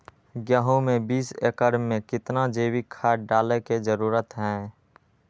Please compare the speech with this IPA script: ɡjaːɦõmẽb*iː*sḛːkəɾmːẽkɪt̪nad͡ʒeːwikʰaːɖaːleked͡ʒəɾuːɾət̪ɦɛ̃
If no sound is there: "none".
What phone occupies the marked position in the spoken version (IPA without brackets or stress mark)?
iː